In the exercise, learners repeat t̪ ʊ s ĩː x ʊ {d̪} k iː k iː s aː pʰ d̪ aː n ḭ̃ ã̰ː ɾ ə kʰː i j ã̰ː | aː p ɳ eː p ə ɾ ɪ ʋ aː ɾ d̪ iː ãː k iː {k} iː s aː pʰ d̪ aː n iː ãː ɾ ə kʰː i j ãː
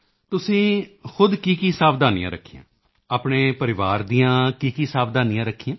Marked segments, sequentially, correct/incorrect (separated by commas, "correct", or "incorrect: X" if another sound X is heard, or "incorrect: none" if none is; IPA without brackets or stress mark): correct, correct